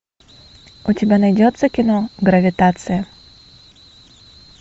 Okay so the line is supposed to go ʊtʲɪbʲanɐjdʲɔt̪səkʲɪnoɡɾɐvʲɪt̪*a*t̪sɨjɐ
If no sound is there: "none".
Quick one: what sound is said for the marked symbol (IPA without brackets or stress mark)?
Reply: a